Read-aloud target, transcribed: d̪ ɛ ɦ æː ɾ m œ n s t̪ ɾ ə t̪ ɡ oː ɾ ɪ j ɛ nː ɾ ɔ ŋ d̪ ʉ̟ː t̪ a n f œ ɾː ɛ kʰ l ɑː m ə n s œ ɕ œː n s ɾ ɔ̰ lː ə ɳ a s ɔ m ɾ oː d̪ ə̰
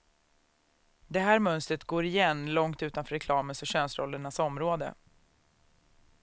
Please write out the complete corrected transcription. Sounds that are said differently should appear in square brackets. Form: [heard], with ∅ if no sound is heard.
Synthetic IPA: d̪ ɛ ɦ æː ɾ m œ n s t̪ ɾ ə t̪ ɡ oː ɾ ɪ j ɛ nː [l] ɔ ŋ [t̪] ʉ̟ː t̪ a n f œ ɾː ɛ kʰ l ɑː m ə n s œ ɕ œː n s ɾ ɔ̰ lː ə ɳ a s ɔ m ɾ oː d̪ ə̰